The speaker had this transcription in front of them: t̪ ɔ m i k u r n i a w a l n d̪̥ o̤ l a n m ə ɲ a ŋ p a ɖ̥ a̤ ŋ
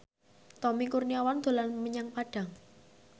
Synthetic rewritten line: t̪ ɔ m i k u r n i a w a n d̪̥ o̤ l a n m ə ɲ a ŋ p a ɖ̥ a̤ ŋ